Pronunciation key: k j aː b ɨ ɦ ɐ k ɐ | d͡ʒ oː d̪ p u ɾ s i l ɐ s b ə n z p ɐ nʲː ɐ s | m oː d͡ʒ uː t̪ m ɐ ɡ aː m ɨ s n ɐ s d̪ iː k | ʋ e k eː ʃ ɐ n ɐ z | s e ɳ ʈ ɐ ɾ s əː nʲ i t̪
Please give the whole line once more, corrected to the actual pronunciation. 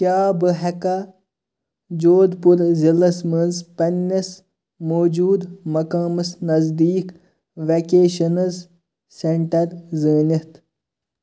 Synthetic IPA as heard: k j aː b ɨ ɦ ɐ k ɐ | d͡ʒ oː d̪ p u ɾ z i l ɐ s m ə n z p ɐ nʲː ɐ s | m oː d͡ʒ uː d̪ m ɐ k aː m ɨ s n ɐ z d̪ iː k | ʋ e k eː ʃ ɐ n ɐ z | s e ɳ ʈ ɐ ɾ z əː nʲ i t̪